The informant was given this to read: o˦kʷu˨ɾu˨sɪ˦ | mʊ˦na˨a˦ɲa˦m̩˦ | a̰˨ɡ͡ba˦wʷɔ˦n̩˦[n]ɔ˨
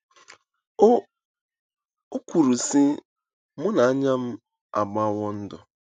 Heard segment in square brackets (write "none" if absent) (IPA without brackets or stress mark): d